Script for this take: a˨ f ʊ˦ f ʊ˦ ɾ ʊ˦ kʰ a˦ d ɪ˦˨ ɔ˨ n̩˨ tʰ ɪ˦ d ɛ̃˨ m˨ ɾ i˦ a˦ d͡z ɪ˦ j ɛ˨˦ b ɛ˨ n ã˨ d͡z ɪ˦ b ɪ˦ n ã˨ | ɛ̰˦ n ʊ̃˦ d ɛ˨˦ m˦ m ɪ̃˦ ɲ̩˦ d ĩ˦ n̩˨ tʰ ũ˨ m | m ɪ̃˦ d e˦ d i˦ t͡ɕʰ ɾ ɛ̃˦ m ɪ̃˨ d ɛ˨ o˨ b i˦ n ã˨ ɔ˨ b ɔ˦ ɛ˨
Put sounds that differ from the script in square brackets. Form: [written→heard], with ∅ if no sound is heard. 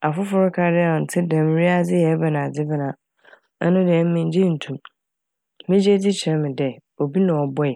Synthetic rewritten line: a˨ f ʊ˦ f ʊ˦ ɾ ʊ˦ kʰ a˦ d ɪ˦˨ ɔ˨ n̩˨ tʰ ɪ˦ d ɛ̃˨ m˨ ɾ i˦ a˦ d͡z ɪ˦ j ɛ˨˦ b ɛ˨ n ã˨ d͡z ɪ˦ b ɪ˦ n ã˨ | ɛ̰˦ n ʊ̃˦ d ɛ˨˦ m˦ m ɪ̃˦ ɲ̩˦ [d→d͡ʑ] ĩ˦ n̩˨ tʰ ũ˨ m | m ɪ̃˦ [d→d͡ʑ] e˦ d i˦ t͡ɕʰ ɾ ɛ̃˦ m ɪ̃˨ d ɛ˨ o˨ b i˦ n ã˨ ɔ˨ b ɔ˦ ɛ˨